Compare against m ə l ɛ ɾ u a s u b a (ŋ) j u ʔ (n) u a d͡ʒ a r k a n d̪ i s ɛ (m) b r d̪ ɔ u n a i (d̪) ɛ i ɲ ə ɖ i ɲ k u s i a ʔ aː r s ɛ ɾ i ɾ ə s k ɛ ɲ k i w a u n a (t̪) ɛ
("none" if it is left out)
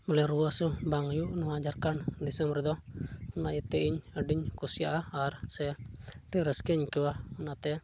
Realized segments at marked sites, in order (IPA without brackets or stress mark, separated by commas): ŋ, n, m, t̪, t̪